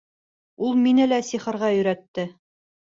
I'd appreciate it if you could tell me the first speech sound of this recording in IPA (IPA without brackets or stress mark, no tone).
u